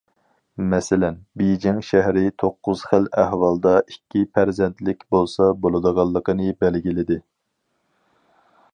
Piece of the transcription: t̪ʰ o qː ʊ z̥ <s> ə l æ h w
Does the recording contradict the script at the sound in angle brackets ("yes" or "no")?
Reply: yes